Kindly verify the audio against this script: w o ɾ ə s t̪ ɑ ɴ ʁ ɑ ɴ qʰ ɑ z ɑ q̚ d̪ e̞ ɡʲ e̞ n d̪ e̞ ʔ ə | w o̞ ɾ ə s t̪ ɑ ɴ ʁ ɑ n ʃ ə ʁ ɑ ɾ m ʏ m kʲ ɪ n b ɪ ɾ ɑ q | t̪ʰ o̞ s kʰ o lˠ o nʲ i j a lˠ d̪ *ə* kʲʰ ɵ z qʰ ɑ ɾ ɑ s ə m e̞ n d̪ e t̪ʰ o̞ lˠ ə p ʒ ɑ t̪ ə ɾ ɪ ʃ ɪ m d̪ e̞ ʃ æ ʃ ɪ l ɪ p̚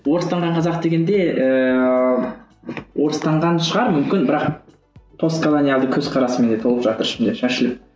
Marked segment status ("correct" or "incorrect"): correct